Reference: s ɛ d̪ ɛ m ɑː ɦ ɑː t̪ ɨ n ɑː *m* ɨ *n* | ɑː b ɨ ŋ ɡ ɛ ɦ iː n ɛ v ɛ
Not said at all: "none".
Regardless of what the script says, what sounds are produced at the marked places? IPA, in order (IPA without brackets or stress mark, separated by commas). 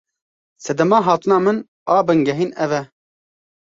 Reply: m, n